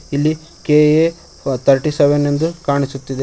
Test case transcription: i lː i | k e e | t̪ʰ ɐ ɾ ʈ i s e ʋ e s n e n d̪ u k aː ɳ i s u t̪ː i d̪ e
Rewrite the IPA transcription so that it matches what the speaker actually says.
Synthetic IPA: i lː i | k e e | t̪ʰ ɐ ɾ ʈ i s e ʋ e n e n d̪ u k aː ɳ i s u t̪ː i d̪ e